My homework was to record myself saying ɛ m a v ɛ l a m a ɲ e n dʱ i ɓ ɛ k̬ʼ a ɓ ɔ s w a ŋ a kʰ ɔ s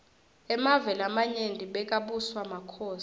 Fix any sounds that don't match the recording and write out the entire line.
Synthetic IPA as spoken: ɛ m a v ɛ l a m a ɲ e n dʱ i ɓ ɛ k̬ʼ a ɓ u s w a m a kʰ ɔː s